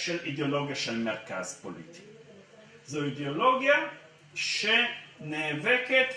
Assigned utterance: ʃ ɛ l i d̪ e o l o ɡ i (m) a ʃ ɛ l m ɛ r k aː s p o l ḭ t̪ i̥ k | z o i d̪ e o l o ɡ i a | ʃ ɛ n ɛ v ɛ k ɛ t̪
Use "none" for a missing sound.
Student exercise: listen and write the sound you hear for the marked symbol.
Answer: none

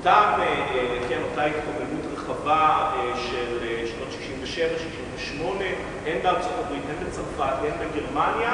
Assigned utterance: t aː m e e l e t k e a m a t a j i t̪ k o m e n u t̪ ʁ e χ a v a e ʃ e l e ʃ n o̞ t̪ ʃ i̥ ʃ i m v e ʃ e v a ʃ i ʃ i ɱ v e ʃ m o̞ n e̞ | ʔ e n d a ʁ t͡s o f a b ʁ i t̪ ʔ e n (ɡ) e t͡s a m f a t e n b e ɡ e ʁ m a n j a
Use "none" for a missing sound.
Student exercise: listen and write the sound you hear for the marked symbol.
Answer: b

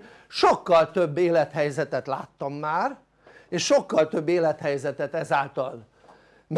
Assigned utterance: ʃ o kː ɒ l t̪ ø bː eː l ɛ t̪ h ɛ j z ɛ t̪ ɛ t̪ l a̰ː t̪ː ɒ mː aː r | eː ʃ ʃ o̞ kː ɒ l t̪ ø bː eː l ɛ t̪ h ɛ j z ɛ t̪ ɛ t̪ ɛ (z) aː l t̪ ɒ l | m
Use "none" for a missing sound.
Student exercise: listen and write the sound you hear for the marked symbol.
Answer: z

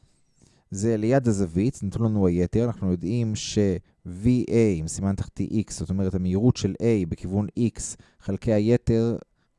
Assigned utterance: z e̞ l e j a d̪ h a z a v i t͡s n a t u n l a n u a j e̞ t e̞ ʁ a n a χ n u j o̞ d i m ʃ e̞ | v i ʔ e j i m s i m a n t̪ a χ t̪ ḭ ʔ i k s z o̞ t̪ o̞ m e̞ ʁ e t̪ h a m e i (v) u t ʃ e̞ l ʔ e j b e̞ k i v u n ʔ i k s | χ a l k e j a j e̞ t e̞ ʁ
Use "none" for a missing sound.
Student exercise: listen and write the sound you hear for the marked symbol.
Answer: ʁ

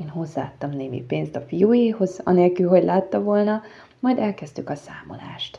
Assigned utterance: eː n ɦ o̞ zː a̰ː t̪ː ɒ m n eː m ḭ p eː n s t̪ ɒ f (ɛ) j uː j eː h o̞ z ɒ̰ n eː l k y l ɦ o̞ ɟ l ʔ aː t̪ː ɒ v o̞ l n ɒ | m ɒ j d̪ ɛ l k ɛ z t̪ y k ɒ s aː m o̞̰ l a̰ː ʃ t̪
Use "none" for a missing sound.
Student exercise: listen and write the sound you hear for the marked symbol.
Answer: i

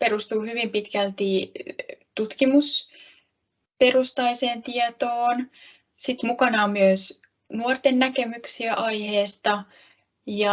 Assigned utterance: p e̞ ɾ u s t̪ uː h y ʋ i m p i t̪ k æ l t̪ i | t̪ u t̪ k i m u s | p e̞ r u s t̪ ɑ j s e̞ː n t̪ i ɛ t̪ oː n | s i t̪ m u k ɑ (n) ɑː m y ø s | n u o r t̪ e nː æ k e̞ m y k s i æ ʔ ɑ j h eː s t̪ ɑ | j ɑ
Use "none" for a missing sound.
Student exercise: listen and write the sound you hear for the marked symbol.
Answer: n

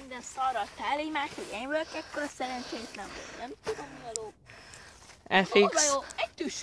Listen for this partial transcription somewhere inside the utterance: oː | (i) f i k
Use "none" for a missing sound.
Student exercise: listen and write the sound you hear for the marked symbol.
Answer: ɛ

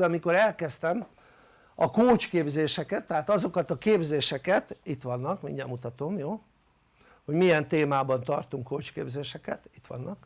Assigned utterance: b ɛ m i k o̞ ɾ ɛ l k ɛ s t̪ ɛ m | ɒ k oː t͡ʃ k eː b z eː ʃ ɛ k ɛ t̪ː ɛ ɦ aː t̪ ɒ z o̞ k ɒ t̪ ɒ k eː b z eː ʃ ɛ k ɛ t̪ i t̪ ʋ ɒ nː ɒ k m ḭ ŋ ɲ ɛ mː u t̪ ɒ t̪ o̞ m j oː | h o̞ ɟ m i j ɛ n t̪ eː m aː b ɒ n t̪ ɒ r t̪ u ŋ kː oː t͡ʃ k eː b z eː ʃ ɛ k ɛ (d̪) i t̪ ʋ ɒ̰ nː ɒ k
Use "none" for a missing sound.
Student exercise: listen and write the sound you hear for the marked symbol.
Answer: t̪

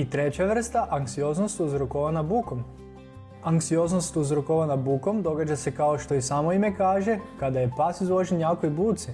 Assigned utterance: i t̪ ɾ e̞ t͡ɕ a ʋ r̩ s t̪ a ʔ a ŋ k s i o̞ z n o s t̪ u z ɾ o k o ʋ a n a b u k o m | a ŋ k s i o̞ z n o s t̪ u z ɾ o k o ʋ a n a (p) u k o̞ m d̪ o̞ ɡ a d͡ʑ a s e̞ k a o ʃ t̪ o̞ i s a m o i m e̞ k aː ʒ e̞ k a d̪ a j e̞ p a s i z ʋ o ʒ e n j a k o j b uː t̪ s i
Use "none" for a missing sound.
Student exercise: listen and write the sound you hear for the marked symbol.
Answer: b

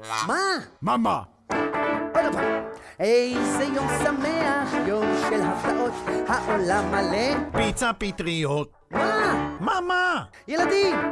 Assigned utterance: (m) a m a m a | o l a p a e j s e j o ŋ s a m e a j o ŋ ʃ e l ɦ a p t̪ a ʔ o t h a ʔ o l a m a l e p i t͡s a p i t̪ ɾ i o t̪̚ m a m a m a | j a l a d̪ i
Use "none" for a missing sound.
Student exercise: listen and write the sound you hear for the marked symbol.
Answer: m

